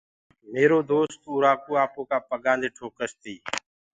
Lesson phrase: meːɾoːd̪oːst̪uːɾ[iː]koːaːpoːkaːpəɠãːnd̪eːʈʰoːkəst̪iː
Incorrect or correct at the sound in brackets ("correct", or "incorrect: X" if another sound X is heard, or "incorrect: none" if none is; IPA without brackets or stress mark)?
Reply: incorrect: aː